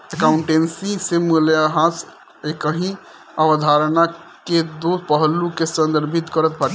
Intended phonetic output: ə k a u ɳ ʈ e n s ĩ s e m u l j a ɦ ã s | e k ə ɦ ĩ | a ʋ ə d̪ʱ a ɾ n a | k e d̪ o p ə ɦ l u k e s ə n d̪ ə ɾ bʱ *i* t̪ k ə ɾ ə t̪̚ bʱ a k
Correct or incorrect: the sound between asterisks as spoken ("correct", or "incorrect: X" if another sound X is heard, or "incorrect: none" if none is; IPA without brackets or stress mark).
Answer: correct